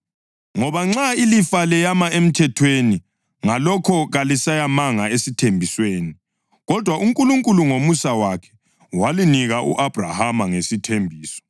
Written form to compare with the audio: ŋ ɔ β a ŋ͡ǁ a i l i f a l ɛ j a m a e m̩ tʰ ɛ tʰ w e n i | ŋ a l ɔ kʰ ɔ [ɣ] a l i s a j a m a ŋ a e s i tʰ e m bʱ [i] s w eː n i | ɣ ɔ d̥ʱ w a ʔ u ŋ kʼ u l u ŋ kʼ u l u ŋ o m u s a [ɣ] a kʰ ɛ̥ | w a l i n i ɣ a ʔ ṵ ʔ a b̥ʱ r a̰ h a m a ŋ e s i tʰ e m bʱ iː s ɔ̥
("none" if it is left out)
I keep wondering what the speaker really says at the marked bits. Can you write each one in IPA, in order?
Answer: ɣ, i, w

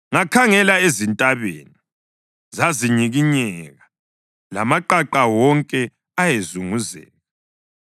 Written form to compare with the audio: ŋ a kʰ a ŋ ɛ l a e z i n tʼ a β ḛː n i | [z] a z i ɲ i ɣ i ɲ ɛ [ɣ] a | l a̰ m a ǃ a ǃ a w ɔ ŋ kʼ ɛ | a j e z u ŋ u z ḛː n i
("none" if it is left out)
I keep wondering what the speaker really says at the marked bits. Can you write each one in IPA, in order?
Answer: z, ɣ

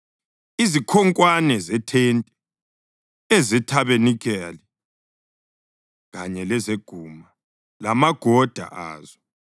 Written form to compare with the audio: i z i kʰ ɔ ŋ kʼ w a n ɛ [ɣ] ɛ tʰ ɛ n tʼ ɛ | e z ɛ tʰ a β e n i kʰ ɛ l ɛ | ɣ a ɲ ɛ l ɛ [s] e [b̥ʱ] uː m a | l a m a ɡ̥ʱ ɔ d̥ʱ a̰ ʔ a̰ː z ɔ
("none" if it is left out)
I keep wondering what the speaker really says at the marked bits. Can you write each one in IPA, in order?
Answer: z, z, ɡ̥ʱ

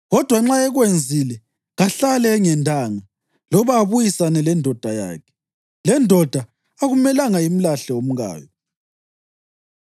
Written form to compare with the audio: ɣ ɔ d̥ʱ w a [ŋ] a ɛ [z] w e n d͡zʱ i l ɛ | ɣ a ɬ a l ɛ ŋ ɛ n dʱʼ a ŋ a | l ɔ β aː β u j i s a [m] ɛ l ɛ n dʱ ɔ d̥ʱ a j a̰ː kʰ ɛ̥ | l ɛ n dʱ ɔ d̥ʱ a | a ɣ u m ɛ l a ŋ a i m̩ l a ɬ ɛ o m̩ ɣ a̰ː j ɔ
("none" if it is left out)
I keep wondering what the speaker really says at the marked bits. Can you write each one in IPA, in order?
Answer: ŋ͡ǁ, ɣ, n

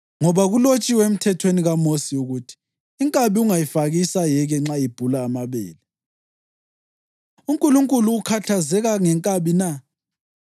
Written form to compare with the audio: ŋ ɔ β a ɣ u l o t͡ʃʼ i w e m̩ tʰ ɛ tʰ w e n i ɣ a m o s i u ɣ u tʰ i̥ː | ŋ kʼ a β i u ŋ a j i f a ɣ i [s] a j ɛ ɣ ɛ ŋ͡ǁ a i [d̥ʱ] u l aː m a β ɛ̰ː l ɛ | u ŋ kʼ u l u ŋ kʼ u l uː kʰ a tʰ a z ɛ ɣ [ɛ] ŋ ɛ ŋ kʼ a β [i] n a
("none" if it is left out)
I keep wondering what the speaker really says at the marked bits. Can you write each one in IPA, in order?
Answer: s, b̥ʱ, a, i

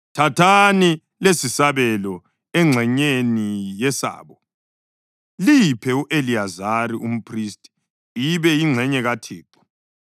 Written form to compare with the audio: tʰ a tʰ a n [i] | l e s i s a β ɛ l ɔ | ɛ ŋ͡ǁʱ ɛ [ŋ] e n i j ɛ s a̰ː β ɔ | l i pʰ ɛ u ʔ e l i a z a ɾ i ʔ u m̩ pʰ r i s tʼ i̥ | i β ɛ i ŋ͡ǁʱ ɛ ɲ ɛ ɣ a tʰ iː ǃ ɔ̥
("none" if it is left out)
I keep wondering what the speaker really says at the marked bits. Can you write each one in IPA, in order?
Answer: i, ɲ

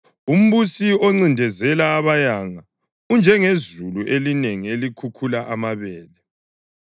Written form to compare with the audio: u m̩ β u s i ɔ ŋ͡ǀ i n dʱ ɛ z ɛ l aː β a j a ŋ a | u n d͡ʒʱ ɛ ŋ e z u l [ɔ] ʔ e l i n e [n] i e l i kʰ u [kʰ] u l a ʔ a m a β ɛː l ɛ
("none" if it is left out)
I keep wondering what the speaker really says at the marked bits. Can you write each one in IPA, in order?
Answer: u, ŋ, kʰ

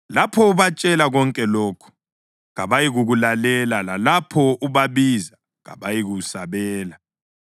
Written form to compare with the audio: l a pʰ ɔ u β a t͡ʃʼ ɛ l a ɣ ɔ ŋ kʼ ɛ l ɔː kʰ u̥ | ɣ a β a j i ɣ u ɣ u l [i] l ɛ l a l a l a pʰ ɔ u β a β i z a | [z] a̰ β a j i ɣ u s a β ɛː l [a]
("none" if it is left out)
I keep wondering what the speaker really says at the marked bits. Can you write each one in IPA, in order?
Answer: a, ɣ, a

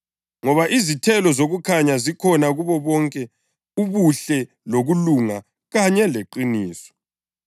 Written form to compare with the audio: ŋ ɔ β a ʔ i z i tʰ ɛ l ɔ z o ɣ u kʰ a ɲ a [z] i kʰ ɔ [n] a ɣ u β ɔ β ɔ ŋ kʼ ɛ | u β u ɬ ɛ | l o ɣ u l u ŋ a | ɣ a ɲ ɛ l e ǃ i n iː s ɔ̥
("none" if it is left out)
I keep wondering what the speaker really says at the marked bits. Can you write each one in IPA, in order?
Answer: z, n

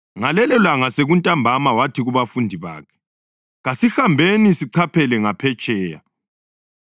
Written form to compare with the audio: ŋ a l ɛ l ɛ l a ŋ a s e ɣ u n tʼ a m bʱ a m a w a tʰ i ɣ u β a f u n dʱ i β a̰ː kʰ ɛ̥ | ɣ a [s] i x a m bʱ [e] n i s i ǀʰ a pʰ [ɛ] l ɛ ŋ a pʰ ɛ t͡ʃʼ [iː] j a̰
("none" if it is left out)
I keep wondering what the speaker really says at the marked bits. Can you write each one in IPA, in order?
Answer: s, e, ɛ, ɛː

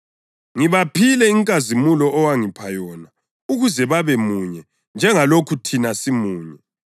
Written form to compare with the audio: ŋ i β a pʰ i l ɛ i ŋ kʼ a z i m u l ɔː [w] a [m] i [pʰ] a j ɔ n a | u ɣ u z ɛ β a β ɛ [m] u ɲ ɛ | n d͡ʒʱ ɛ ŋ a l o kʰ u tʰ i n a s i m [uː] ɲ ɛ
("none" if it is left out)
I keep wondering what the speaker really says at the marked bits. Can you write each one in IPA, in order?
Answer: w, ŋ, pʰ, m, uː

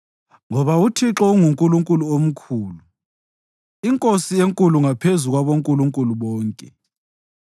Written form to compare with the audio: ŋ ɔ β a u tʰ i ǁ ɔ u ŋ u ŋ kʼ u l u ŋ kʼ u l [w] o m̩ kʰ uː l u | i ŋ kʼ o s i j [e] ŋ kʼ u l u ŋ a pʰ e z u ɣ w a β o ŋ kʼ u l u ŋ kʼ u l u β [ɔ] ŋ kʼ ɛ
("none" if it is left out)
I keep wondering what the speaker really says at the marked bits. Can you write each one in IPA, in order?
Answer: u, e, ɔː

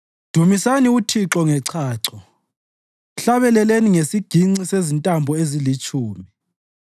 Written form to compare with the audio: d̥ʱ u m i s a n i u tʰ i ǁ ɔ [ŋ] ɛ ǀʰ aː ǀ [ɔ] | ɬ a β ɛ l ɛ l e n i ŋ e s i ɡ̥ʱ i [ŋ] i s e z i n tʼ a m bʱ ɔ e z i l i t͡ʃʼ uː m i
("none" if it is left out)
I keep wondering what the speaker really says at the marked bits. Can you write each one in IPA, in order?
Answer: ŋ, ɔ, ŋ͡ǀ

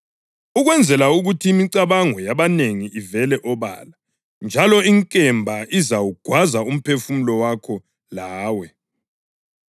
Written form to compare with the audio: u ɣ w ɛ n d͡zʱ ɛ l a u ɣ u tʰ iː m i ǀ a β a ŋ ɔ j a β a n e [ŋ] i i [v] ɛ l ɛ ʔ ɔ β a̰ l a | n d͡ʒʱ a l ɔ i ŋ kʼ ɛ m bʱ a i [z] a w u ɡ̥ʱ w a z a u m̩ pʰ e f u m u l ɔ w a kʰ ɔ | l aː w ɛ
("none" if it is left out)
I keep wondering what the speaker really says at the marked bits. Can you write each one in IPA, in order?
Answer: ŋ, v, z

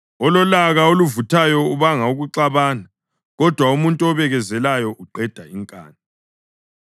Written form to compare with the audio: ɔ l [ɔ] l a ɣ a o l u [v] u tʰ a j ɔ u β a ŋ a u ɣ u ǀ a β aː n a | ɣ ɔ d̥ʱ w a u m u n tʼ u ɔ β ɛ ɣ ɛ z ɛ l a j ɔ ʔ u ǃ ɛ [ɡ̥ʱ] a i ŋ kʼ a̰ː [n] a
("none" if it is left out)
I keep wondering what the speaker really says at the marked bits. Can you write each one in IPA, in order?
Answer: ɔ, v, d̥ʱ, n

